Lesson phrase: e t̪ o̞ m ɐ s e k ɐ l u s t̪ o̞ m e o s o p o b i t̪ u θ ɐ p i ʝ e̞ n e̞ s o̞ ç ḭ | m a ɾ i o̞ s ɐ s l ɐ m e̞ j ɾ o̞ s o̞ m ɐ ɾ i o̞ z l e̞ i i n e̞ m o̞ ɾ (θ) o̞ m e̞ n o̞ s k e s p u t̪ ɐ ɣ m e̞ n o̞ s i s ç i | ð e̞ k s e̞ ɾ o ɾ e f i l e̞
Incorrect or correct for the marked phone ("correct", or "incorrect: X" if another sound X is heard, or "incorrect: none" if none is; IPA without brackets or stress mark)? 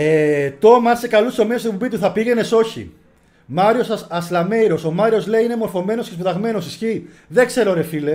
incorrect: f